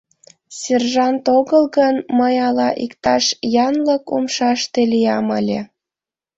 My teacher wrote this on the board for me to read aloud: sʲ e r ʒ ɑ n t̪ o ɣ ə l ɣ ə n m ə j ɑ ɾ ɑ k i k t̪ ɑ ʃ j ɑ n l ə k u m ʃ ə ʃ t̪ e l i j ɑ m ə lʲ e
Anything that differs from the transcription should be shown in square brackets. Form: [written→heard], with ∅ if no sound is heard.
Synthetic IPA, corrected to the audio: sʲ e r ʒ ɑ n t̪ o ɣ ə l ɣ ə n m ə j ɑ [ɾ→l] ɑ [k→ʔ] i k t̪ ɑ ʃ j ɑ n l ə k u m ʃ [ə→ɑ] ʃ t̪ e l i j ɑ m ə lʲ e